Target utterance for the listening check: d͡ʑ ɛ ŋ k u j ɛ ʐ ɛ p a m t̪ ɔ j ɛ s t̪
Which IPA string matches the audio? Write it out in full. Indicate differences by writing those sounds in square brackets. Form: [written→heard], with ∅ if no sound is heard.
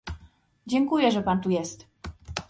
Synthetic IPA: d͡ʑ ɛ ŋ k u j ɛ ʐ ɛ p a [m→n] t̪ [ɔ→u] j ɛ s t̪